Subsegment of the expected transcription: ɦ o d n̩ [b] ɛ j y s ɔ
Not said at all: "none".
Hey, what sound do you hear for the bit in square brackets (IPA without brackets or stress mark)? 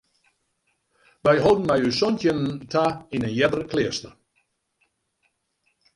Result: m